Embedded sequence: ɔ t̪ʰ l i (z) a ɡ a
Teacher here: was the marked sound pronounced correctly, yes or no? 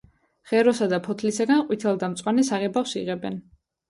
no